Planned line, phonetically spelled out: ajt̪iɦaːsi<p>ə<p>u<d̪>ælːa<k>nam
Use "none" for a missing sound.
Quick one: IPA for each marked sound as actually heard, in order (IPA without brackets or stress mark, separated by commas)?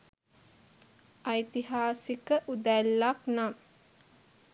k, ʔ, d̪, k